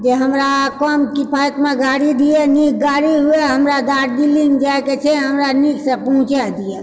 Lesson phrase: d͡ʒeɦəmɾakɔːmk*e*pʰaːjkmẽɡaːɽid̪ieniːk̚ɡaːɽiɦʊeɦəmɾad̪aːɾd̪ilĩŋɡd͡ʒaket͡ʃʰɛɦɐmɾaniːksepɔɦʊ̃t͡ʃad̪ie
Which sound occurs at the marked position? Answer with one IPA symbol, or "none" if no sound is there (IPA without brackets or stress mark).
i